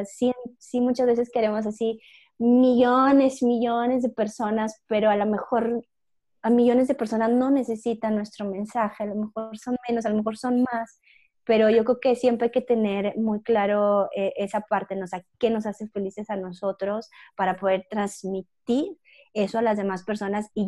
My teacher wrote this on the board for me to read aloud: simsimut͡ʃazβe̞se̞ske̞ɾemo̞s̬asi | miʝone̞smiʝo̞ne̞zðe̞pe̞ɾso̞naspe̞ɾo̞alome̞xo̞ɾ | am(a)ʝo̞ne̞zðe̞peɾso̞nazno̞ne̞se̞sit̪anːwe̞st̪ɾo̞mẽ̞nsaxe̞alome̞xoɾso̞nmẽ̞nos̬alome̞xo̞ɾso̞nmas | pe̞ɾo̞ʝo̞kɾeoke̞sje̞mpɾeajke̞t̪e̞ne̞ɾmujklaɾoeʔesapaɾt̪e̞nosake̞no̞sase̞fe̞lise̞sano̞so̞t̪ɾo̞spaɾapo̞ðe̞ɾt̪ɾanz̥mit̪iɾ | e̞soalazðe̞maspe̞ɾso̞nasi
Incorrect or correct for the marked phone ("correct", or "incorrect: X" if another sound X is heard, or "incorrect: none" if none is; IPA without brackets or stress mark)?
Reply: incorrect: i